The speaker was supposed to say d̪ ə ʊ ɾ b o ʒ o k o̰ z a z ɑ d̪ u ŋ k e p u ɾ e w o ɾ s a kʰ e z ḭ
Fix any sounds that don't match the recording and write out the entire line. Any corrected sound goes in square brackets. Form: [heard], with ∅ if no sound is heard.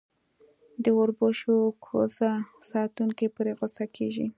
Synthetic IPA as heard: d̪ ə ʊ ɾ b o [ʃ] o [kʰ] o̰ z a [s] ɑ [t̪] u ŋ k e p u ɾ e [ɣ] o [∅] s a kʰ e [ʒ] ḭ